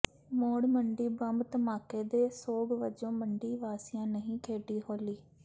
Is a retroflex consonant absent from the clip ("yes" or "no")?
no